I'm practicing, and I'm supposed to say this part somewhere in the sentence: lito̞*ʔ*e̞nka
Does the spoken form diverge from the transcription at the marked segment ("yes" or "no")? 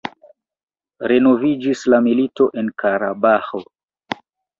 no